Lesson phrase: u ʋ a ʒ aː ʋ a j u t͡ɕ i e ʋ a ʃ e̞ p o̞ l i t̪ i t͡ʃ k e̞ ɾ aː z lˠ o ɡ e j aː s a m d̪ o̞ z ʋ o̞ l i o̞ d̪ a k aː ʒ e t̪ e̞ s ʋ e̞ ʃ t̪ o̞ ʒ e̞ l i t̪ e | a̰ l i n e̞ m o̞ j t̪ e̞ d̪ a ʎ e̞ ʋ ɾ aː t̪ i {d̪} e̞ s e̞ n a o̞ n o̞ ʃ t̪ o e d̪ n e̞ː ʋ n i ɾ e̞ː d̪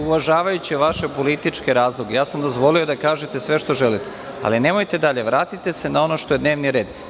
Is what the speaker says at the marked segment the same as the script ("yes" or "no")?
no